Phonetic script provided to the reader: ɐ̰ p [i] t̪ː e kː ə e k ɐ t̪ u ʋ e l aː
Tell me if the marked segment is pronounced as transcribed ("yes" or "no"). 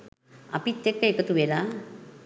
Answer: yes